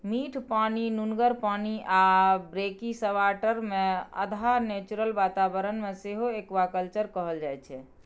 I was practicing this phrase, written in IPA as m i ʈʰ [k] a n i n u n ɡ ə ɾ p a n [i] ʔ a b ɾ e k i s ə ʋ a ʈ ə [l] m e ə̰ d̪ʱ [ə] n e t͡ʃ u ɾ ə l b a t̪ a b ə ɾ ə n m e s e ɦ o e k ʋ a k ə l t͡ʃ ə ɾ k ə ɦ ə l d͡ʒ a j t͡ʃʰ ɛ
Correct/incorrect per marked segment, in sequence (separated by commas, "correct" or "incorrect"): incorrect, correct, incorrect, incorrect